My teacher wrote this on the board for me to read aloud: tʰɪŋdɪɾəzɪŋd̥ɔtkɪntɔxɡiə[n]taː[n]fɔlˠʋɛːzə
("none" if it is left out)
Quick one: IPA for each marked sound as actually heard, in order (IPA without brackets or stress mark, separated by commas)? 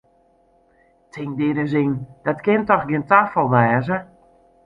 n, none